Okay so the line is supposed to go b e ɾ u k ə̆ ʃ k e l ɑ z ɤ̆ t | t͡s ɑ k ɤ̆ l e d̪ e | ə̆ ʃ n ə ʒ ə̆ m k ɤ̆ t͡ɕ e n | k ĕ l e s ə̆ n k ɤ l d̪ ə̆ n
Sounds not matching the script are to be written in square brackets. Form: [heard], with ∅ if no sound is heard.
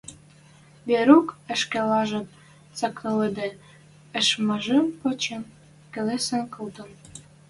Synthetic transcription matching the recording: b e ɾ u k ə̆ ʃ k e l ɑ [ʒ] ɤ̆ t | t͡s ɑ k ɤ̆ l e d̪ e | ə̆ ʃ [m] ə ʒ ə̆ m [p] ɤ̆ t͡ɕ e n | k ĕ l e s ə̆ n k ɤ l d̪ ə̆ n